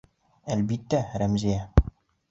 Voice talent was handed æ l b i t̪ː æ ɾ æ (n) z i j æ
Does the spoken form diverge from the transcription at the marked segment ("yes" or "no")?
yes